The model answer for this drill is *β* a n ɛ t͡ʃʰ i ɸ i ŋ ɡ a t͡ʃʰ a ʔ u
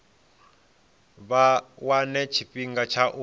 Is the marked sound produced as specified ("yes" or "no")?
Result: no